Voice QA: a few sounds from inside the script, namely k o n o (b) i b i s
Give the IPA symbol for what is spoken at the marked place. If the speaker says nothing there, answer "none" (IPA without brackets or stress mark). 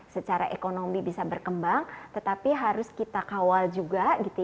m